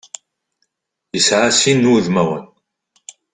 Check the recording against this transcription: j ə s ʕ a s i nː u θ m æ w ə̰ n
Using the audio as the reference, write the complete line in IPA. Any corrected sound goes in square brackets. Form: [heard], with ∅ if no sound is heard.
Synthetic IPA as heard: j ə s ʕ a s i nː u [ð] m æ w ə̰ n